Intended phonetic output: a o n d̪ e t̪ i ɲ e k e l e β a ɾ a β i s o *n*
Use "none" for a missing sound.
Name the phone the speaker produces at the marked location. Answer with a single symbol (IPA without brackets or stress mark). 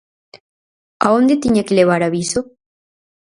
none